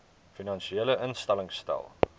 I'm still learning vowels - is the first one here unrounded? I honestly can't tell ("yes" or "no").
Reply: yes